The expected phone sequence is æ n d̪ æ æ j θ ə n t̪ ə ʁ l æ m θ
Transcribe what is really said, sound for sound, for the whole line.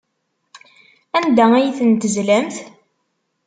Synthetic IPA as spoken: æ n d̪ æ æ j θ ə n t̪ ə z l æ m θ

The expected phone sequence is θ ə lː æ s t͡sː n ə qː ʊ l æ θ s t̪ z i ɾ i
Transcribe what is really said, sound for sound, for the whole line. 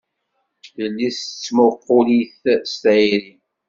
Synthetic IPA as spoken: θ ə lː i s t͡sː m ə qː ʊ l i θ s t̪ ʕ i ɾ i

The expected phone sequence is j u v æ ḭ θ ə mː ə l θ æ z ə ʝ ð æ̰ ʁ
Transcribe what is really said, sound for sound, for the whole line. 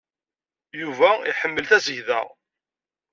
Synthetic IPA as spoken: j u v æ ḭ ħ ə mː ə l θ æ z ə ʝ ð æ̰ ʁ

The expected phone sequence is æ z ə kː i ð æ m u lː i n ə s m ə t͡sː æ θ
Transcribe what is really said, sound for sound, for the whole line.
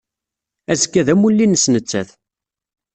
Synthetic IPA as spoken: æ z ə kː æ ð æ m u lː i n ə s n ə t͡sː æ θ

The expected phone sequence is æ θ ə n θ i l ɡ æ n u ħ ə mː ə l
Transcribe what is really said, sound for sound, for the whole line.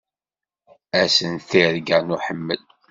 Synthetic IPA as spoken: æ s ə n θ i ɾ ɡ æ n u ħ ə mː ə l

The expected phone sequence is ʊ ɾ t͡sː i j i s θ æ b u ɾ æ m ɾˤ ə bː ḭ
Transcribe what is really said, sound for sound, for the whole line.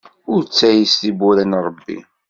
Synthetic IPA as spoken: ʊ ɾ t͡sː æ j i s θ i b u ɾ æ n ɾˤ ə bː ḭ

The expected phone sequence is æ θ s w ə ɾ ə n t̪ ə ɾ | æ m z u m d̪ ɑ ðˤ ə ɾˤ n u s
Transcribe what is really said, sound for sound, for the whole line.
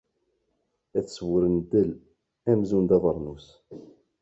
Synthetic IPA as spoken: æ θ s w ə ɾ ə n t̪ ə l | æ m z u n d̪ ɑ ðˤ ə ɾˤ n u s

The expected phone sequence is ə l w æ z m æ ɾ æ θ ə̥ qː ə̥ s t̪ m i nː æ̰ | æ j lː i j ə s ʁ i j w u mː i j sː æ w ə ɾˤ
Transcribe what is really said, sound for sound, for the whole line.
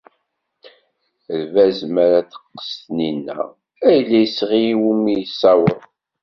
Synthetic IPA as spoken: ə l v æ z m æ ɾ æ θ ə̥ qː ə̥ s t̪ n i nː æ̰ | æ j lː æ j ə s ʁ i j w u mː i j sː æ w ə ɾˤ

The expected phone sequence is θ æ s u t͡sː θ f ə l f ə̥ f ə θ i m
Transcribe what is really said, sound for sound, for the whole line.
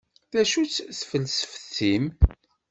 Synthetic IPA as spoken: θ æ ʃ u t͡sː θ f ə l s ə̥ f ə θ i m

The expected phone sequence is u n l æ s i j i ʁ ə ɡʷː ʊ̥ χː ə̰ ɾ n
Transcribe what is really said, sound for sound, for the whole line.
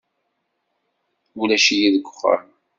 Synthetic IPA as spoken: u l æ ʃ i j i ð ə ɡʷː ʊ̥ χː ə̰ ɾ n

